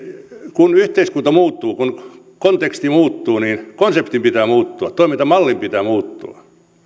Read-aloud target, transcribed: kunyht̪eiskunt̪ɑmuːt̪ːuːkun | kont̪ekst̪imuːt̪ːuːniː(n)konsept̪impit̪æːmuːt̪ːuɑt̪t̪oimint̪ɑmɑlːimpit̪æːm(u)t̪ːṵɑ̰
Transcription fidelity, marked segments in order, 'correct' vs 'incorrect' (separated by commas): correct, incorrect